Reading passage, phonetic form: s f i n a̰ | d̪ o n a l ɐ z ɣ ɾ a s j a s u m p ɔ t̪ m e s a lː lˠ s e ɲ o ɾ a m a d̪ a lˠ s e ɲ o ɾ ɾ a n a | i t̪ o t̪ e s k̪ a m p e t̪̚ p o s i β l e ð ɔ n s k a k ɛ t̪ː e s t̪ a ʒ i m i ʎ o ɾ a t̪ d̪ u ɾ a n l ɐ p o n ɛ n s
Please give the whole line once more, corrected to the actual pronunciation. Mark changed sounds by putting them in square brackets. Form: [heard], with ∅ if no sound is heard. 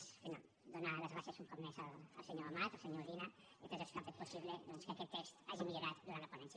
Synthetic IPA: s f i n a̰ | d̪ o n a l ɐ z ɣ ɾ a s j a s u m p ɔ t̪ m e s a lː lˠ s e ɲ o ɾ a m a [t̪] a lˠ s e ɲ o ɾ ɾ [i] n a | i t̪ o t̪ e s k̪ a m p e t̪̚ p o s i β l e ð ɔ n s k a k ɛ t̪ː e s t̪ a ʒ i m i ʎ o ɾ a t̪ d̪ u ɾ a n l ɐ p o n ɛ n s